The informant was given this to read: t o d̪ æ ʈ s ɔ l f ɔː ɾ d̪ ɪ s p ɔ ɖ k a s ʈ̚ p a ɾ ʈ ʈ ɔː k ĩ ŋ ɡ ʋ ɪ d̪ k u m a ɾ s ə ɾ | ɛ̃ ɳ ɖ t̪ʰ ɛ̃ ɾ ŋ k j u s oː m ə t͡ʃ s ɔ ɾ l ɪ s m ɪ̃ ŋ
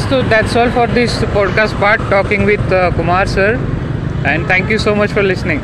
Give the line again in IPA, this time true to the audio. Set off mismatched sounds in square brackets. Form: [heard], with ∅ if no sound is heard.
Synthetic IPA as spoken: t o d̪ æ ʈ s ɔ l f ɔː ɾ d̪ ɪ s p ɔ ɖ k a s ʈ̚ p a ɾ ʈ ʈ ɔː k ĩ ŋ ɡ ʋ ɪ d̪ k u m a ɾ s ə ɾ | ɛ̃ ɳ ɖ t̪ʰ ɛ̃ [∅] ŋ k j u s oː m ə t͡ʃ [f] ɔ ɾ l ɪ s [n] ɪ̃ ŋ